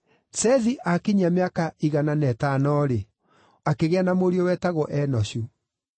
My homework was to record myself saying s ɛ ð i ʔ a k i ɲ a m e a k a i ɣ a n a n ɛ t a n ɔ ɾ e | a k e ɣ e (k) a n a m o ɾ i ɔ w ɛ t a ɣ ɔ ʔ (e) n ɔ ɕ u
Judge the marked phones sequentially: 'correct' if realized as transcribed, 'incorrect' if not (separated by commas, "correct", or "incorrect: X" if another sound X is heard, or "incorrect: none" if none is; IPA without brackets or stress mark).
incorrect: none, incorrect: ɛ